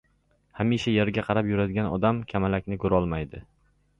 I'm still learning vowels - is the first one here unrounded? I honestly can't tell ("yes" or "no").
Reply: yes